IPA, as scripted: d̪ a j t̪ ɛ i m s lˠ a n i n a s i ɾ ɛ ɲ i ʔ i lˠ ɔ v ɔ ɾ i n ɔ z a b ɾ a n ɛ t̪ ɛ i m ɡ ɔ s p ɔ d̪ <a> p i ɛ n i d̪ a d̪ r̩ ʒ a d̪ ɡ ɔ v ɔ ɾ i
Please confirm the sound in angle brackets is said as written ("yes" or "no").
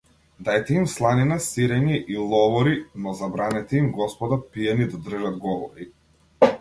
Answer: yes